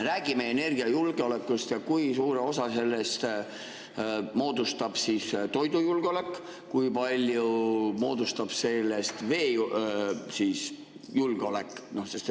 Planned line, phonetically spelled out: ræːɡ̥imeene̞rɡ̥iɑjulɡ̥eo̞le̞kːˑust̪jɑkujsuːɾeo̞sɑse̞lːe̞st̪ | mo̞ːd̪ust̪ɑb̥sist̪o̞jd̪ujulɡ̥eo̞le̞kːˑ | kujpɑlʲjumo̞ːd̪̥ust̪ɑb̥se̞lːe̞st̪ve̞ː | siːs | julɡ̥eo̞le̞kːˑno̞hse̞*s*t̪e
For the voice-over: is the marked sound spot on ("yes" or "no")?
yes